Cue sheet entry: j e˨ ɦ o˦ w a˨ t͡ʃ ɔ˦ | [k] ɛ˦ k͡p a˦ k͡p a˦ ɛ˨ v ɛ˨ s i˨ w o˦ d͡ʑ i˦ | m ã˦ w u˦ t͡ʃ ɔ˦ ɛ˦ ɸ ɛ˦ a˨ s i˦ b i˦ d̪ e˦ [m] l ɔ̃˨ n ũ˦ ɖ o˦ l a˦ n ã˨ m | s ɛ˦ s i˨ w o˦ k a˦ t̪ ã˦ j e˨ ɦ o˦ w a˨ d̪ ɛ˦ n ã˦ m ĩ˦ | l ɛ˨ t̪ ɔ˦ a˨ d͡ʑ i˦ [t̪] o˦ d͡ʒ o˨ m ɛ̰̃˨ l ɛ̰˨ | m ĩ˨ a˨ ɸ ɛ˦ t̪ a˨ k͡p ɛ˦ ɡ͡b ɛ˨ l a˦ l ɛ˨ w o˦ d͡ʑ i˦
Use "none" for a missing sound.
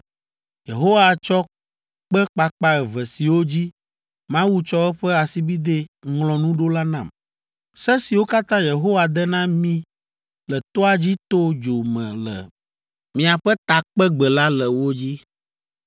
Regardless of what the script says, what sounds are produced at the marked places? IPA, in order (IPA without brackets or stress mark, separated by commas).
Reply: k͡p, ŋ, t̪